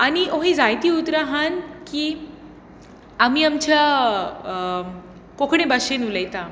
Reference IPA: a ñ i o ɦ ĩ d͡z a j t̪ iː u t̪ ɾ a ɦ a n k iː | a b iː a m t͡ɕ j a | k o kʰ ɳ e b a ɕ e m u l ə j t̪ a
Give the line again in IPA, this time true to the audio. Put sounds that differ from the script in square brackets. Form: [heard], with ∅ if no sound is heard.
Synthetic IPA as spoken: a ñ i o ɦ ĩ d͡z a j t̪ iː u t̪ ɾ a ɦ a n k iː | a [m] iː a m t͡ɕ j a | k o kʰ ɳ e b a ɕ e [n] u l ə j t̪ a